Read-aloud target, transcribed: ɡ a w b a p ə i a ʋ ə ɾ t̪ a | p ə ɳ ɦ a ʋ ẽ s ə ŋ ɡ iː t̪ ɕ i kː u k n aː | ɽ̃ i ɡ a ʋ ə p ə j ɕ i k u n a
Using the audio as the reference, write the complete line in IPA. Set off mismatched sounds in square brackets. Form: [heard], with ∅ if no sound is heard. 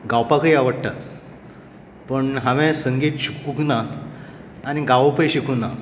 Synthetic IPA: ɡ a w [p] a [k] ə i a ʋ ə [ɽ] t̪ a | p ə ɳ ɦ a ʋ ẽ s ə ŋ ɡ iː t̪ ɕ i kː u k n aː | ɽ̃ i ɡ a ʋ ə p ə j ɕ i k u n a